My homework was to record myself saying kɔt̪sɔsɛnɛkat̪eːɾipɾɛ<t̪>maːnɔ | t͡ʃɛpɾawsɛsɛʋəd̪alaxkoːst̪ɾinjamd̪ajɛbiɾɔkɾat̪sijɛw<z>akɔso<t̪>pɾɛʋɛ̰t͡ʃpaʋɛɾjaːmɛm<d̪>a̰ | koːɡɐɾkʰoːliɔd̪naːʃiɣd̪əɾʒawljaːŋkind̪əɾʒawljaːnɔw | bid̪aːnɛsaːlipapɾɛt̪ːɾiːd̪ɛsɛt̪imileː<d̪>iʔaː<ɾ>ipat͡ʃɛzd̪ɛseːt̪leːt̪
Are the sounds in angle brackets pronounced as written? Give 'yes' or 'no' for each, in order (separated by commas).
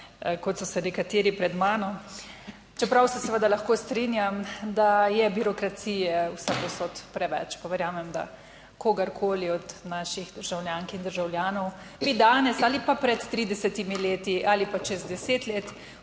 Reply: no, no, yes, yes, no, no